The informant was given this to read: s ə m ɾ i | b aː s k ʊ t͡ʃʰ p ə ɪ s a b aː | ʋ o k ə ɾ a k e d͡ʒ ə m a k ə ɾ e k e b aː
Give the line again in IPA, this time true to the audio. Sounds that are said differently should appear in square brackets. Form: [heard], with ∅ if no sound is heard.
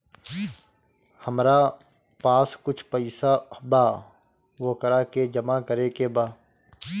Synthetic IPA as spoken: [h] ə m ɾ [a] | [p] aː s k ʊ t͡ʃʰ p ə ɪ s a b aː | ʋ o k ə ɾ a k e d͡ʒ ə m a k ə ɾ e k e b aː